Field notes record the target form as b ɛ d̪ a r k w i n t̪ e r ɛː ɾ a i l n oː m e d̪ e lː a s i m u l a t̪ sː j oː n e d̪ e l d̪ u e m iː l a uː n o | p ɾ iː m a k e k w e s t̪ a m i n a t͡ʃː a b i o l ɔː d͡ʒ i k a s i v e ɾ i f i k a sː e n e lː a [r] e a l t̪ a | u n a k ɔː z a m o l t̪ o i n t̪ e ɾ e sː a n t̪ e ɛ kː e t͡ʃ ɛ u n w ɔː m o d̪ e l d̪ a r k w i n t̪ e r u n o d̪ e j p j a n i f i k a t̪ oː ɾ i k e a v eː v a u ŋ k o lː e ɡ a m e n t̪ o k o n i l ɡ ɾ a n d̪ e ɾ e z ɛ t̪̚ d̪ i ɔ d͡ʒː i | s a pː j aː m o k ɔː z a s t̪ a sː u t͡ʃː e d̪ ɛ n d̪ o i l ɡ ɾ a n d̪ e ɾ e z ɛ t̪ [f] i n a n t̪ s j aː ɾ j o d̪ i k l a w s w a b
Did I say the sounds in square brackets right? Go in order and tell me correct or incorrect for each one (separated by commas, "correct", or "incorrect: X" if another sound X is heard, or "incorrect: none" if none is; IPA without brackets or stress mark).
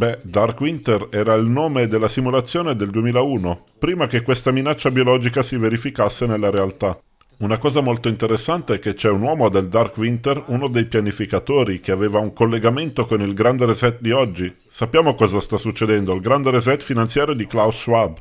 incorrect: ɾ, correct